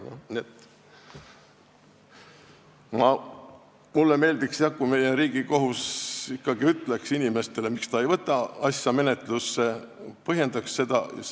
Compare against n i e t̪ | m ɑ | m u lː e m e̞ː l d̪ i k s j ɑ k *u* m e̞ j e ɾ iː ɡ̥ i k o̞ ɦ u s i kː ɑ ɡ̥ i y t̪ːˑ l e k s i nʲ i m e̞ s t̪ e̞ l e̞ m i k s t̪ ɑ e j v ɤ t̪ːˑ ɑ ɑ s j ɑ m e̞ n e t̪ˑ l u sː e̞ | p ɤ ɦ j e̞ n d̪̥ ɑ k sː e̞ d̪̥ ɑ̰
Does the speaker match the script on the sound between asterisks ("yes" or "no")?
yes